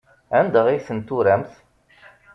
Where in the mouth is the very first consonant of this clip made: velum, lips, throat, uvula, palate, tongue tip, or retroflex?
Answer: tongue tip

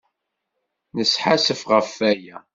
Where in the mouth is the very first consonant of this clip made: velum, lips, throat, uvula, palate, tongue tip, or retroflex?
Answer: tongue tip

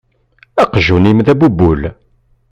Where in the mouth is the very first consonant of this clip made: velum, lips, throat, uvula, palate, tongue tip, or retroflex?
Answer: uvula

